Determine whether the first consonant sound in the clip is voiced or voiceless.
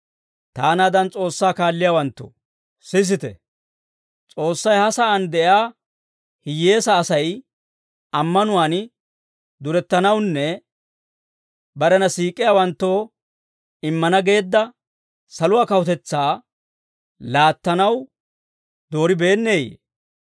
voiceless